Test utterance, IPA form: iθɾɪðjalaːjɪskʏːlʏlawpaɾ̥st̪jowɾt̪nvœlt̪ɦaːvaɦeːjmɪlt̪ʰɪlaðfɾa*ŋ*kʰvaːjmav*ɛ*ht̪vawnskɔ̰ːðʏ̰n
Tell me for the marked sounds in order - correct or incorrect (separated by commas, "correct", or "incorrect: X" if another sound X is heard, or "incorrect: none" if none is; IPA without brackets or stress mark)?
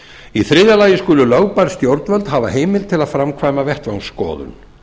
incorrect: m, correct